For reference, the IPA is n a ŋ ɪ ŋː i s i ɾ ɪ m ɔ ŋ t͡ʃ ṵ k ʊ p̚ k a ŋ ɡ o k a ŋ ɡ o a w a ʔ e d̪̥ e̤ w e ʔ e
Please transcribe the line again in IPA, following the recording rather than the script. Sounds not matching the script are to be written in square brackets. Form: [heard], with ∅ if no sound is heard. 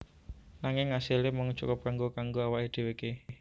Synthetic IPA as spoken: n a ŋ ɪ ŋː [a] s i [l] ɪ m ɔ ŋ t͡ʃ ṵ k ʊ p̚ k a ŋ ɡ o k a ŋ ɡ o a w a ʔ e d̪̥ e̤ w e [k] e